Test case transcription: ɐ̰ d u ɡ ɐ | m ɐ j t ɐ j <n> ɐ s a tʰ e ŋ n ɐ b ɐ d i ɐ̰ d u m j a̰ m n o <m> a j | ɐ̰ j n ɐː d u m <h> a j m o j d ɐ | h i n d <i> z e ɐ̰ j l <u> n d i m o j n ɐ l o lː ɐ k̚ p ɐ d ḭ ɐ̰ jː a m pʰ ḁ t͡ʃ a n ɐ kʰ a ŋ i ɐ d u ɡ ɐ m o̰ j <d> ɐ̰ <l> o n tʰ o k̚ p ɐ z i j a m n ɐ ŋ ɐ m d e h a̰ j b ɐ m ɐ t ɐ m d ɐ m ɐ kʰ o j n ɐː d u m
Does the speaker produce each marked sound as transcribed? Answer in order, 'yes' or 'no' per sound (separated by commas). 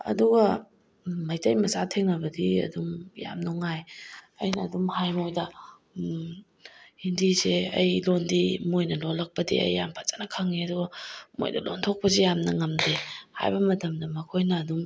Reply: no, no, yes, yes, no, yes, yes